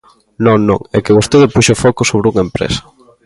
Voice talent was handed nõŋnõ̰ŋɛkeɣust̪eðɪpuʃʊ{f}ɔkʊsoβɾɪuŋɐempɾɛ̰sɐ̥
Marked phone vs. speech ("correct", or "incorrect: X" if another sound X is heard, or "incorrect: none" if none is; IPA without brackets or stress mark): correct